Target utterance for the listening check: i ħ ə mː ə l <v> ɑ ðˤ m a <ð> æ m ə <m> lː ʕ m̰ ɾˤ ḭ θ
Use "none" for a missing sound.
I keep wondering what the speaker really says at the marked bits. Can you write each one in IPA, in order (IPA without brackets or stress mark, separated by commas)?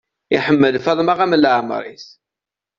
f, ʁ, none